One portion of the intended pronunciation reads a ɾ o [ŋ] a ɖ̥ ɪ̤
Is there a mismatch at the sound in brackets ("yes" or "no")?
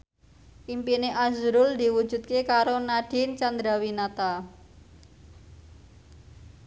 yes